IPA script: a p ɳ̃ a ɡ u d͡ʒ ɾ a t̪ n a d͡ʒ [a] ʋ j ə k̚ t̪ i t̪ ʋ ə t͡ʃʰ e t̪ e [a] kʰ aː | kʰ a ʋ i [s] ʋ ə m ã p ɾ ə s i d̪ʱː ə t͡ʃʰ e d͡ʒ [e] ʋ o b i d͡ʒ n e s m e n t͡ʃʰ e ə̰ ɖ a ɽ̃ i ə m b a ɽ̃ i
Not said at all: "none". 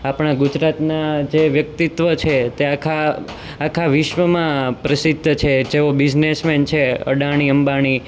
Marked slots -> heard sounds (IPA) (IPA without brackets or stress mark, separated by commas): e, a, ʃ, e